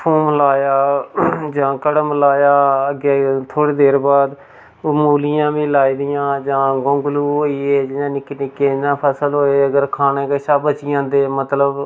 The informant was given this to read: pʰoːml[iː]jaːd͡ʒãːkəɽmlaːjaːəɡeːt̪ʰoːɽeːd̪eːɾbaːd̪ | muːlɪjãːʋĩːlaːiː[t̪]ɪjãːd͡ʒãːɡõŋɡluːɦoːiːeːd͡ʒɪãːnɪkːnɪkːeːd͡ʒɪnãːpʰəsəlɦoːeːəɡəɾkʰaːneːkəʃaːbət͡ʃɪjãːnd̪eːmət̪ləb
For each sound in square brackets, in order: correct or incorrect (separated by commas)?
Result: incorrect, incorrect